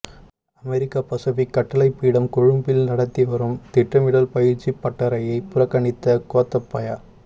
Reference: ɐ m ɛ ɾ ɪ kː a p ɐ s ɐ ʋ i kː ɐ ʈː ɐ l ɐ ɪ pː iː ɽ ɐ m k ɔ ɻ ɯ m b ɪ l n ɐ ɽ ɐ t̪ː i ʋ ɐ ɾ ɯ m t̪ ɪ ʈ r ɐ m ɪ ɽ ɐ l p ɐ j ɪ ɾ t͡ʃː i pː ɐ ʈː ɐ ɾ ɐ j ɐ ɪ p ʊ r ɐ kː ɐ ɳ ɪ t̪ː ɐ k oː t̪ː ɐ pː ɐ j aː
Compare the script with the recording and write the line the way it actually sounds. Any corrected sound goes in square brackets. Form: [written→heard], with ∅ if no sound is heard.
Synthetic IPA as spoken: ɐ m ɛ ɾ ɪ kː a p ɐ s ɐ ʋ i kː ɐ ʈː ɐ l ɐ ɪ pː iː ɽ ɐ m k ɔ ɻ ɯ m b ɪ l n ɐ ɽ ɐ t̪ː i ʋ ɐ ɾ ɯ m t̪ ɪ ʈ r ɐ m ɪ ɽ ɐ l p ɐ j ɪ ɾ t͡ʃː i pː ɐ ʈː ɐ ɾ ɐ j ɐ ɪ p ʊ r ɐ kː ɐ ɳ ɪ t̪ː ɐ k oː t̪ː ɐ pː ɐ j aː